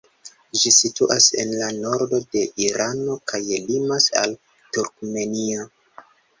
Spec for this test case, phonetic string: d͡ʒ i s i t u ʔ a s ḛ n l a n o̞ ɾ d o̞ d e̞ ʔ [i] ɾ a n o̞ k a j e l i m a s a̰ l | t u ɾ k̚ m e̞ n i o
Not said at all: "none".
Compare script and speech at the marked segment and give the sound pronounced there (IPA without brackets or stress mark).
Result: i